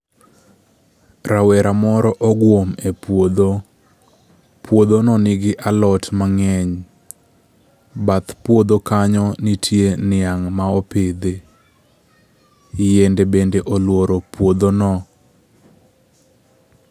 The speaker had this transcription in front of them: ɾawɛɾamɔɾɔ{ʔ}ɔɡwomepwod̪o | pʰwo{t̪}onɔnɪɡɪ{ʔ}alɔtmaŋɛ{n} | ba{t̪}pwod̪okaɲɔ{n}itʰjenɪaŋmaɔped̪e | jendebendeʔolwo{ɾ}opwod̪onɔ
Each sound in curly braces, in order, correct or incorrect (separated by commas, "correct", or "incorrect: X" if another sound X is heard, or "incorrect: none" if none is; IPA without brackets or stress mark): correct, incorrect: d̪, correct, incorrect: ɲ, correct, correct, correct